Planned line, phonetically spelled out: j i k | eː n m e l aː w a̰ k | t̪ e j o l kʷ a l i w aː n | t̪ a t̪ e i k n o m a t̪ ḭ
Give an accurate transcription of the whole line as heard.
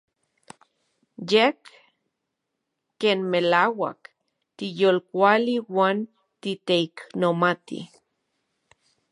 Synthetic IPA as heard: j e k | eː n m e l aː w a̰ k | t̪ i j o l kʷ a l i w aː n | t̪ i t̪ e i k n o m a t̪ ḭ